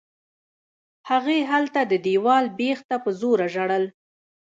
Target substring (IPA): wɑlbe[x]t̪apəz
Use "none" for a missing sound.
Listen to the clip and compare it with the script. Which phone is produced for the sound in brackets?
x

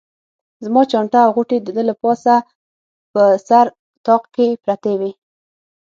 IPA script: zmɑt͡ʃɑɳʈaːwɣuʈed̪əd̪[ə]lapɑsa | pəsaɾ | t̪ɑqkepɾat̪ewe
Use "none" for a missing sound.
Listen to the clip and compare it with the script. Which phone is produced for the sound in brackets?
ə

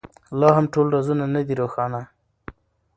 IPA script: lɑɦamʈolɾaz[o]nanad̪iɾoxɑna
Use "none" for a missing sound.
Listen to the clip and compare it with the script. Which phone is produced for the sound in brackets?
u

